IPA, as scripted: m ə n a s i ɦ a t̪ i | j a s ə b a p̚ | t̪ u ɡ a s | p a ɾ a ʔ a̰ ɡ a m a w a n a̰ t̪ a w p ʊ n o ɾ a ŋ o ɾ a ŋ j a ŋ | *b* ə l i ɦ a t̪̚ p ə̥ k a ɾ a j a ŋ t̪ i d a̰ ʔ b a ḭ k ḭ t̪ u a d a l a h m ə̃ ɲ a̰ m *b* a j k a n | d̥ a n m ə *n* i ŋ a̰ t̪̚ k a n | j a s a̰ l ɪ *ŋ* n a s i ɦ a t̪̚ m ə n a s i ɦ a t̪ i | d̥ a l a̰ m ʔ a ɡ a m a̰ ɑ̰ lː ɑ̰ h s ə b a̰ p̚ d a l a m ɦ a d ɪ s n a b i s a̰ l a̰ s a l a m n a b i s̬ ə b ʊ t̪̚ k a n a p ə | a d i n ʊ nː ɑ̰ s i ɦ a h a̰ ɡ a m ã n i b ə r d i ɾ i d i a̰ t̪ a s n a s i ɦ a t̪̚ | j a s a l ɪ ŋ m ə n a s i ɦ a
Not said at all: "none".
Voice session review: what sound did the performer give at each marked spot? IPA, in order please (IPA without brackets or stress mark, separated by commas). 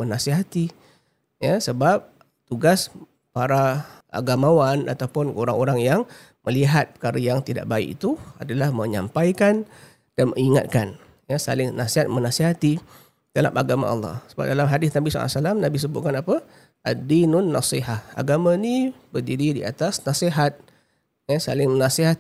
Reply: m, p, ŋ, ŋ